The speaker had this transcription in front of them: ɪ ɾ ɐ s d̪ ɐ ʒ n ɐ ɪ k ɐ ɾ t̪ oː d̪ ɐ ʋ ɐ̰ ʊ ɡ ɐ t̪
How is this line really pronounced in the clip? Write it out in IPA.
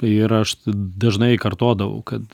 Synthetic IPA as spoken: ɪ ɾ ɐ ʃ d̪ ɐ ʒ n ɐ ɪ k ɐ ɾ t̪ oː d̪ ɐ ʋ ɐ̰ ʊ k ɐ t̪